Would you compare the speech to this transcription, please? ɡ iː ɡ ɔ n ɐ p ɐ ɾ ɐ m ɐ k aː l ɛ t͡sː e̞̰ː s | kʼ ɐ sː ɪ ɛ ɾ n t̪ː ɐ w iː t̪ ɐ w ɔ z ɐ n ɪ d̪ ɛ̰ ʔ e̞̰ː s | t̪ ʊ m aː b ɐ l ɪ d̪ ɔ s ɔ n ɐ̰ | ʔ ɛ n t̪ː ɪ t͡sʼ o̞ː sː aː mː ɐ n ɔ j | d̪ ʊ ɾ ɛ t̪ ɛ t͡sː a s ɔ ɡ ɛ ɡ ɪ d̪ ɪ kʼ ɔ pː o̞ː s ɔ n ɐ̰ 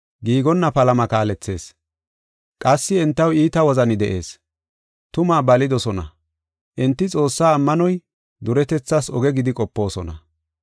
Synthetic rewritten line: ɡ iː ɡ ɔ nː ɐ p ɐ l ɐ m ɐ k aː l ɛ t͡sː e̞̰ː s | kʼ ɐ sː ɪ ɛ n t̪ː ɐ w iː t̪ ɐ w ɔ z ɐ n ɪ d̪ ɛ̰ ʔ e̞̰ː s | t̪ ʊ m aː b ɐ l ɪ d̪ ɔ s ɔ n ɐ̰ | ʔ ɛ n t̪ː ɪ t͡sʼ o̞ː sː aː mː ɐ n ɔ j | d̪ ʊ ɾ ɛ t̪ ɛ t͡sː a s ɔ ɡ ɛ ɡ ɪ d̪ ɪ kʼ ɔ pː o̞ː s ɔ n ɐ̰